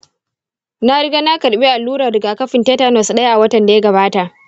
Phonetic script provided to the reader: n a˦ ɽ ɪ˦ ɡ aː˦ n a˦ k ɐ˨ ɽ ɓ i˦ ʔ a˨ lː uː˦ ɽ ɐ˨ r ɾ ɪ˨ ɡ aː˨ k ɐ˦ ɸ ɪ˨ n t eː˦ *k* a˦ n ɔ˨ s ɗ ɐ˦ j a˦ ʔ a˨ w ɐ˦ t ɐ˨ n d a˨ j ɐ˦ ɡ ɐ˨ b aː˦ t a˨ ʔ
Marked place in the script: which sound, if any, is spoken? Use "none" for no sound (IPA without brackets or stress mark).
t